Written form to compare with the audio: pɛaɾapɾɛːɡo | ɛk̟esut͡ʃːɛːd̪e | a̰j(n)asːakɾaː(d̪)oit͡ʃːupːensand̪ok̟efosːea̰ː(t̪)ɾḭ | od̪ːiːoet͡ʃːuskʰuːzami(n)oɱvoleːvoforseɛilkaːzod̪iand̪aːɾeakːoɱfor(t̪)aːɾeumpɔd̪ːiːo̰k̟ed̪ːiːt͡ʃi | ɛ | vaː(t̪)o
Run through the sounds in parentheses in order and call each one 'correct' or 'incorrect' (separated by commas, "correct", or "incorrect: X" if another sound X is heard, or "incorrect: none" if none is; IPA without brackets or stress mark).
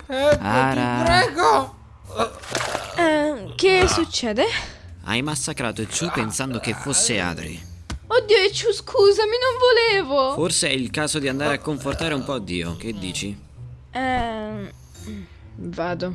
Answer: incorrect: m, incorrect: t̪, incorrect: d̪, correct, correct, incorrect: d̪